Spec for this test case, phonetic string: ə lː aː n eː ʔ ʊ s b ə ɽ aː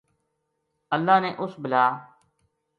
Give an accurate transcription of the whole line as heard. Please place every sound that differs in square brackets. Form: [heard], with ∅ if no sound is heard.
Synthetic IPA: ə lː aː n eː ʔ ʊ s b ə [l] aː